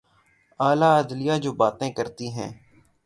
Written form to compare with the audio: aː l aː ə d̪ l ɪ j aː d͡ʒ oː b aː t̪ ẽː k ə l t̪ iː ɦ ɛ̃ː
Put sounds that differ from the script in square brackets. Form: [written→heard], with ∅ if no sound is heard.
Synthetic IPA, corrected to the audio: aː l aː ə d̪ l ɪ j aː d͡ʒ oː b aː t̪ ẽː k ə [l→ɾ] t̪ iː ɦ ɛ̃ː